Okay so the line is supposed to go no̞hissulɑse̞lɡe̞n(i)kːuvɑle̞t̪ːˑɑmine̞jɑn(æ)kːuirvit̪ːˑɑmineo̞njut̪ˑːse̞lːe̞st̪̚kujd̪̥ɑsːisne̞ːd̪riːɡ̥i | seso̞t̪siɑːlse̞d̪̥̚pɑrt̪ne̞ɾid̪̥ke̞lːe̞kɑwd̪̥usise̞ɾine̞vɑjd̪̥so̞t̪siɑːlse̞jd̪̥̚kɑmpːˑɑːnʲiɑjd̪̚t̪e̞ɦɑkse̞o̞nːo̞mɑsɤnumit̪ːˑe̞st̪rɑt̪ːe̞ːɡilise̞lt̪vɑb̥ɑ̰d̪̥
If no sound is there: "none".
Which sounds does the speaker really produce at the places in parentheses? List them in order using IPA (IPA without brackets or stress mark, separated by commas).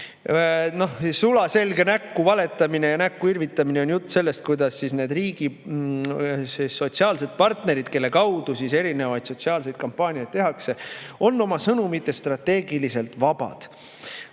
æ, æ